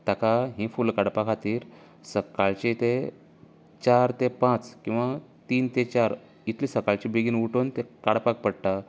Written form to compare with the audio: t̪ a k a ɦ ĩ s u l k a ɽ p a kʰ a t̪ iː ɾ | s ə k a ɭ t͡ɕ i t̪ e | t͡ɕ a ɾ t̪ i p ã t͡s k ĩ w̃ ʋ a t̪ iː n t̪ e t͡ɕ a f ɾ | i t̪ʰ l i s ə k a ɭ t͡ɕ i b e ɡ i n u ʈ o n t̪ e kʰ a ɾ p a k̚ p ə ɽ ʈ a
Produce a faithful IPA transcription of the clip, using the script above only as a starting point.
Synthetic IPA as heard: t̪ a k a ɦ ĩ f u l k a ɽ p a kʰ a t̪ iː ɾ | s ə k a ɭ t͡ɕ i t̪ e | t͡ɕ a ɾ t̪ e p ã t͡s k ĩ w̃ ʋ a t̪ iː n t̪ e t͡ɕ a ɾ | i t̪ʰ l i s ə k a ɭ t͡ɕ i b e ɡ i n u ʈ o n t̪ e k a ɽ p a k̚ p ə ɽ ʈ a